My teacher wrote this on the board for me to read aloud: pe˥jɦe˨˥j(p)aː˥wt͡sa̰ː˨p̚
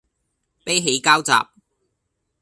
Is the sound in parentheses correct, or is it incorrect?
incorrect: k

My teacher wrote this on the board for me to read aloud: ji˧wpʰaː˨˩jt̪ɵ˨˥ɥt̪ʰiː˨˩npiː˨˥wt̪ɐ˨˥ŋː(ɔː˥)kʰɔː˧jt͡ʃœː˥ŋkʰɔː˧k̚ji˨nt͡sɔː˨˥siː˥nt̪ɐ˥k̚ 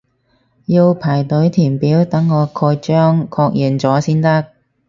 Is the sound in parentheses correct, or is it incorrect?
incorrect: ɔː˨˧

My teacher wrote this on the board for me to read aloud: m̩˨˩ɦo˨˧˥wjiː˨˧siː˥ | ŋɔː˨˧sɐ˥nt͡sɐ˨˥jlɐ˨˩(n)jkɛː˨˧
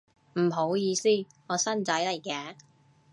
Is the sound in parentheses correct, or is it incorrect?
incorrect: none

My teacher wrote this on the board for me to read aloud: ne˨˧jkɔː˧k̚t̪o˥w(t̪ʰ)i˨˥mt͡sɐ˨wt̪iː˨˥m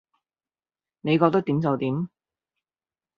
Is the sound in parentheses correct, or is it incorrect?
incorrect: t̪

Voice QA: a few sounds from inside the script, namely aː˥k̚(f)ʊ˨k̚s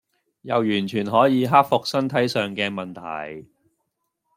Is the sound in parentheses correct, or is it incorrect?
correct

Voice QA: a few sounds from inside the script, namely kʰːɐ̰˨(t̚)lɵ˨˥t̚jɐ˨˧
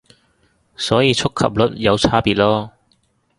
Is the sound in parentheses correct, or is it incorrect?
incorrect: p̚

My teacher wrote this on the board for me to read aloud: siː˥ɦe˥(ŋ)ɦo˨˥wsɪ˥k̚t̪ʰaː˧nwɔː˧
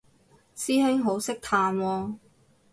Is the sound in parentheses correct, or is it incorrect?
correct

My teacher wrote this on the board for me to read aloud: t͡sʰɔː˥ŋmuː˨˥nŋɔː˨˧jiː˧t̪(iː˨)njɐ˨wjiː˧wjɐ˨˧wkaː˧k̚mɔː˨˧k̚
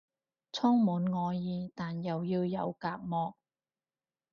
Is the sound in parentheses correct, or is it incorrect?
incorrect: aː˨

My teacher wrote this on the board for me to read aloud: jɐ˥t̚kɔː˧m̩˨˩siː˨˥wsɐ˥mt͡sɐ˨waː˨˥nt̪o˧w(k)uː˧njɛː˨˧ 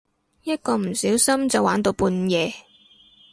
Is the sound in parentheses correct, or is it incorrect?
incorrect: p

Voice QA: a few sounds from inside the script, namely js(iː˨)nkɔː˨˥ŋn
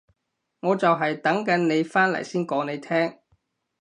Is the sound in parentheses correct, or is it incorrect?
incorrect: iː˥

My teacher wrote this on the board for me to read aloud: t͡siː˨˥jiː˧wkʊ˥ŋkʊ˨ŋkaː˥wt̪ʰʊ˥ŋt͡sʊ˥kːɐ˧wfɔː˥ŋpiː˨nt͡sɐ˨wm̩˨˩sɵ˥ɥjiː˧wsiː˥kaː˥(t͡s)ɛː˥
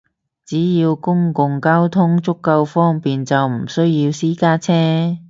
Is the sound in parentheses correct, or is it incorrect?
incorrect: t͡sʰ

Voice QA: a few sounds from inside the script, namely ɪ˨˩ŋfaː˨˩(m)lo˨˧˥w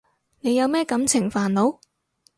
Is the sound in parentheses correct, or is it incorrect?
incorrect: n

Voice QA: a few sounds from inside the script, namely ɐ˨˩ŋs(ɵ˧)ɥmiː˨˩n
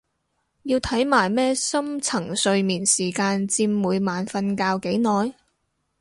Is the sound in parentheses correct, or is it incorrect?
correct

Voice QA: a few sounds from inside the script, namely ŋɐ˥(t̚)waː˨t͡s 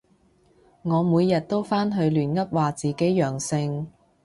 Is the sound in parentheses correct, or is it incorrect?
incorrect: p̚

